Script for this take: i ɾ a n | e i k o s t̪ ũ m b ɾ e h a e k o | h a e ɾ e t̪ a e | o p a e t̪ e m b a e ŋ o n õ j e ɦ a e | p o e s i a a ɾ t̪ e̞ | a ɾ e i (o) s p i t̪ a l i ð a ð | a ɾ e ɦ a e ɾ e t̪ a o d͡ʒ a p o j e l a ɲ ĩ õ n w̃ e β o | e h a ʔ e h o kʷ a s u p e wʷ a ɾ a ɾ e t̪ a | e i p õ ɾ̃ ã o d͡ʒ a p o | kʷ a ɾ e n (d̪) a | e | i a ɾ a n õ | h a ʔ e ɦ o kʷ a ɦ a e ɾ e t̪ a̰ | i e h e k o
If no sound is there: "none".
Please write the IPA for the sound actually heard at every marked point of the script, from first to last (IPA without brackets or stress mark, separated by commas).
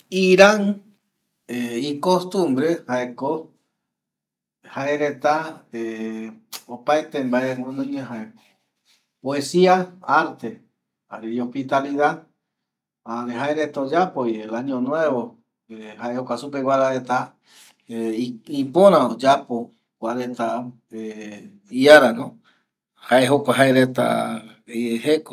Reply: o, t̪